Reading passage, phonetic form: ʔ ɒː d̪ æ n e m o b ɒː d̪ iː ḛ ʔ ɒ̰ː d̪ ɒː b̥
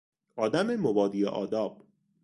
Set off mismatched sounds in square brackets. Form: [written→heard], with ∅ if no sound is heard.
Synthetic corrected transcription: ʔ ɒː d̪ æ [n→m] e m o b ɒː d̪ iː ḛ ʔ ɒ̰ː d̪ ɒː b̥